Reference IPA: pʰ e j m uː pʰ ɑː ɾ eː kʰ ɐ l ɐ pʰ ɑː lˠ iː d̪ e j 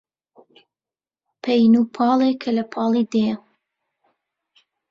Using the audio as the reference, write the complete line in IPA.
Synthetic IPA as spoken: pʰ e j n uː pʰ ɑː l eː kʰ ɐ l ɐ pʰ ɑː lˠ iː d̪ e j